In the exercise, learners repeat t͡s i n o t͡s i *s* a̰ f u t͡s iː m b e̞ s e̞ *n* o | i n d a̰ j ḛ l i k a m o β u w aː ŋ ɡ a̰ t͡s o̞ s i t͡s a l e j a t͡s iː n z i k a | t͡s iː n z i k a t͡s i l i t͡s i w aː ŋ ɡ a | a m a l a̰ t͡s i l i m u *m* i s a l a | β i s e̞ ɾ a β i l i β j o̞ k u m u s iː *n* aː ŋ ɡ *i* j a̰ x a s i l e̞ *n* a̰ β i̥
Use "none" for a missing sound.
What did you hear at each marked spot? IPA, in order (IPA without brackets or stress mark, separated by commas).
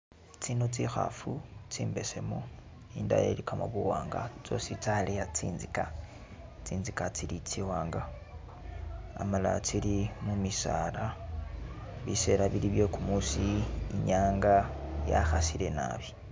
x, m, m, ɲ, a, n